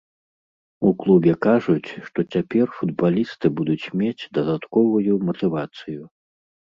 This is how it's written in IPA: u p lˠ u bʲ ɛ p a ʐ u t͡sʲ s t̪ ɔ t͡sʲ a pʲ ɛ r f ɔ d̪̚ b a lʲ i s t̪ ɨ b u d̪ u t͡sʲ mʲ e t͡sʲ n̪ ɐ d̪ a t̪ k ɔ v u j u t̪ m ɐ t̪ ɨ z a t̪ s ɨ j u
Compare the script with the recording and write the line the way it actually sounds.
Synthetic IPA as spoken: u k lˠ u bʲ ɛ k a ʐ u t͡sʲ ʂ t̪ ɔ t͡sʲ a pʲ ɛ r f u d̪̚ b a lʲ i s t̪ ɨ b u d̪ u t͡sʲ mʲ e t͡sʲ d̪ ɐ d̪ a t̪ k ɔ v u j u m ɐ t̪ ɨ v a t̪ s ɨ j u